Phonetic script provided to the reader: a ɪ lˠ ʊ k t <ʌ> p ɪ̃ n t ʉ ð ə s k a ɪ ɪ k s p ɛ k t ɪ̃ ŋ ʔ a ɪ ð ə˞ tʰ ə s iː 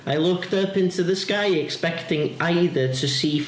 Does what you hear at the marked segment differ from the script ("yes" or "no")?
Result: no